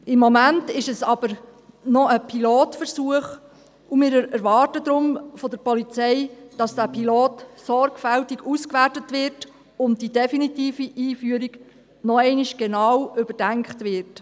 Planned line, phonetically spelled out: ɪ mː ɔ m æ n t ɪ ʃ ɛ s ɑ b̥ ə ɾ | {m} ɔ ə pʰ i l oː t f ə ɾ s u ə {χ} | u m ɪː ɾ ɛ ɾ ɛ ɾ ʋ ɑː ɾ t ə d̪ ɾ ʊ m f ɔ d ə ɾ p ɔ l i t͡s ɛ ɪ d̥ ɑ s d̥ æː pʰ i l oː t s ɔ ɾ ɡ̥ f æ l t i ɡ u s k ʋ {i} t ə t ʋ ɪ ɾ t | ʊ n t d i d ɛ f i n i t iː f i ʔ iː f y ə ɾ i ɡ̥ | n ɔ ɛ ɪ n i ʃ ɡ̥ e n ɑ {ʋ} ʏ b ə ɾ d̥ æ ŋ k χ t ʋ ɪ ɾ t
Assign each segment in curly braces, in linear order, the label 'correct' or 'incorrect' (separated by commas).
incorrect, correct, incorrect, incorrect